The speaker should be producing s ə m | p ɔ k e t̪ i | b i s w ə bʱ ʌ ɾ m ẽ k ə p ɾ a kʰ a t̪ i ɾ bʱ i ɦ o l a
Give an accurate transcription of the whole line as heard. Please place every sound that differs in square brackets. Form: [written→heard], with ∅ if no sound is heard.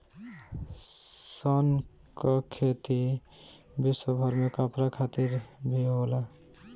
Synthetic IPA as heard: s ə [m→n] | [p→k] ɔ [k→kʰ] e t̪ i | b i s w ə bʱ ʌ ɾ m [ẽ→e] k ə p ɾ a kʰ a t̪ i ɾ bʱ i ɦ o l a